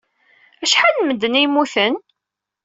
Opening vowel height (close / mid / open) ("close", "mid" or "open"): open